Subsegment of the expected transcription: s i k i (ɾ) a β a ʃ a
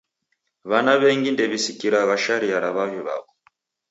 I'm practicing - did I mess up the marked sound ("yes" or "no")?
no